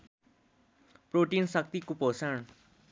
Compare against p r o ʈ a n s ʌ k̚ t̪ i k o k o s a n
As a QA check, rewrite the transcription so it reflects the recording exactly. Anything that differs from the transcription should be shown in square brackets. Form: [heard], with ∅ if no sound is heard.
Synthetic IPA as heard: p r o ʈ [i] n s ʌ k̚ t̪ i k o [p] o s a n

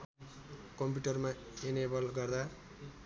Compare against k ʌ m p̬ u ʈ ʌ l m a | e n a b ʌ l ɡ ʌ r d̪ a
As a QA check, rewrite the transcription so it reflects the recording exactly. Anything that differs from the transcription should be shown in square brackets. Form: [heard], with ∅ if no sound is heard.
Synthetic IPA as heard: k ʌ m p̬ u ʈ ʌ [r] m a | e n [e] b ʌ l ɡ ʌ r d̪ a

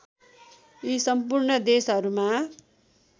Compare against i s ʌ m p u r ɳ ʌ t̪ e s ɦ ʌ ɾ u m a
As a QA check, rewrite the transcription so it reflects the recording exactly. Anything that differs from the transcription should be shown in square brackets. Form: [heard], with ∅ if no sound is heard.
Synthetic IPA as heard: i s ʌ m p u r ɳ ʌ [d̪] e s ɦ ʌ ɾ u m a

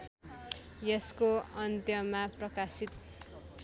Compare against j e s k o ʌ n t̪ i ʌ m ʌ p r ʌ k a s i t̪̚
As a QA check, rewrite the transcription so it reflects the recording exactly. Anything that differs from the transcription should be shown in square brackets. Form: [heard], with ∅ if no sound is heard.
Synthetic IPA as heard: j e s k o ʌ n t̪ [j] ʌ m [a] p r ʌ k a s i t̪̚

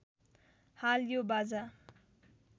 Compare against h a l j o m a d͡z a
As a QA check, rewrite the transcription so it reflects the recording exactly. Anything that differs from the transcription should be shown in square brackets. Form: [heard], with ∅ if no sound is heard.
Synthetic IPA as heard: h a l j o [b] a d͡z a

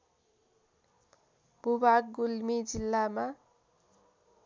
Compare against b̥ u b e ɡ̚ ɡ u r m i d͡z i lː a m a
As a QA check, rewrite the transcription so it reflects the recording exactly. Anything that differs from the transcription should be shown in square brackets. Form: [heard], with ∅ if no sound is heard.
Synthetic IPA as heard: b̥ u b [a] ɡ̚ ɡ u [l] m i d͡z i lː a m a

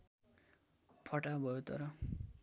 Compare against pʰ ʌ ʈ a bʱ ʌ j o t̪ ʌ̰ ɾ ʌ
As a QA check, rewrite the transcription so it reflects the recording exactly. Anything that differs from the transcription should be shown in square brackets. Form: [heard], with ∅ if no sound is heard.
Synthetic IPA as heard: pʰ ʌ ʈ a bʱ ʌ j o t̪ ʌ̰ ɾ ʌ

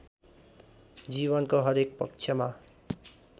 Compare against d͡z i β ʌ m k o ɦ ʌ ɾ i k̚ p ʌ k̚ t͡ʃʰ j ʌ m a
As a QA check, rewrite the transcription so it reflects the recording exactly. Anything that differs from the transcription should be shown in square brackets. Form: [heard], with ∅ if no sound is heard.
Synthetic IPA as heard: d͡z i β ʌ [n] k o ɦ ʌ ɾ [e] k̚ p ʌ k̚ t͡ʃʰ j ʌ m a

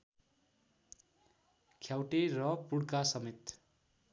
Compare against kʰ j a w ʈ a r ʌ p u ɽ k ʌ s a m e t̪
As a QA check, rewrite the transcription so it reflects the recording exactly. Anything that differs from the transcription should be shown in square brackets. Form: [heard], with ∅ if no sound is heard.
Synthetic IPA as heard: kʰ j a w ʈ [e] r ʌ p u ɽ k [a] s [ʌ] m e t̪

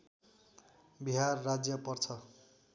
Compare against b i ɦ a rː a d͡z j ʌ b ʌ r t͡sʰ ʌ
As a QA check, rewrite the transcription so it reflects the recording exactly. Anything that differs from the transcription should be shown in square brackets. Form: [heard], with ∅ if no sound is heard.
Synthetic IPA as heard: b i ɦ a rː a d͡z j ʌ [p] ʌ r t͡sʰ ʌ

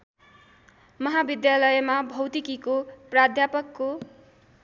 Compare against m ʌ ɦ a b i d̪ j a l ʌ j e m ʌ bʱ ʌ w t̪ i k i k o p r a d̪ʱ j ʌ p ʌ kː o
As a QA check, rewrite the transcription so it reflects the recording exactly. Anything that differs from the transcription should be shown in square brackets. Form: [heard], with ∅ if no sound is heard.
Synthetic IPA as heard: m ʌ ɦ a b i d̪ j a l ʌ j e m [a] bʱ ʌ w t̪ i k i k o p r a d̪ʱ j [a] p ʌ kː o

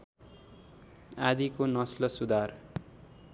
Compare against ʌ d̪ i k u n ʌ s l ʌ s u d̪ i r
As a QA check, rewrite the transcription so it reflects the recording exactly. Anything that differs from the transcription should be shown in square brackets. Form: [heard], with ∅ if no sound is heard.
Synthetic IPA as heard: [a] d̪ i k [o] n ʌ s l ʌ s u d̪ [a] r

